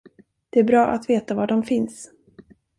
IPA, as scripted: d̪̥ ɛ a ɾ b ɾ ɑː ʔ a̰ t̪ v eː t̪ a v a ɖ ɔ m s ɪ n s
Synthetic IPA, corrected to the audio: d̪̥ ɛ æ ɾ b ɾ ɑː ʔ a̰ t̪ v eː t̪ a v a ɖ ɔ m f ɪ n s